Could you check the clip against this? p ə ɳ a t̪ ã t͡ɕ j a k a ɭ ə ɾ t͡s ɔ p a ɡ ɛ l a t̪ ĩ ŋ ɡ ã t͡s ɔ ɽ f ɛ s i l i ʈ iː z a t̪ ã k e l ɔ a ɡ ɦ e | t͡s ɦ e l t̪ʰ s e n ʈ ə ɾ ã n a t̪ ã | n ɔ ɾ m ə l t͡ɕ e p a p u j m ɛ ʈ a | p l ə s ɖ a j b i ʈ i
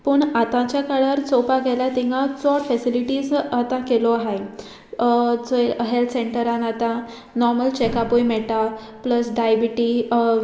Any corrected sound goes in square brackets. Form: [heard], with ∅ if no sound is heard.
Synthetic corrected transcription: p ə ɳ a t̪ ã t͡ɕ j a k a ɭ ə ɾ t͡s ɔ p a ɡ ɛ l a t̪ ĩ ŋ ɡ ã t͡s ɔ ɽ f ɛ s i l i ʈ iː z a t̪ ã k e l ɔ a [∅] ɦ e | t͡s ɦ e l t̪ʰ s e [ɳ] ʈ ə ɾ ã n a t̪ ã | n ɔ ɾ m ə l t͡ɕ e [k] a p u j m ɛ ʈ a | p l ə s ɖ a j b i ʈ i